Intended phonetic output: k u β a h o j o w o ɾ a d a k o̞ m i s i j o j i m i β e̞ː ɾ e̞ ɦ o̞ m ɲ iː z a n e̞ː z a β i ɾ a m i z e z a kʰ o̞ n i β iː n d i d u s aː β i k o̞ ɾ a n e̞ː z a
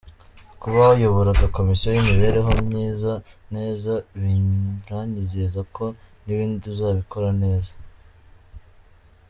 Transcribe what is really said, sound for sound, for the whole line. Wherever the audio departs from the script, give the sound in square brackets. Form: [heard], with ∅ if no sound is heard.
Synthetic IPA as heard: k u β a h o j o [β] o ɾ a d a k o̞ m i s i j o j i m i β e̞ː ɾ e̞ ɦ o̞ m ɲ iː z a n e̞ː z a β i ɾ a [ɲ] i z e z a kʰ o̞ n i β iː n d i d u [z] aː β i k o̞ ɾ a n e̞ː z a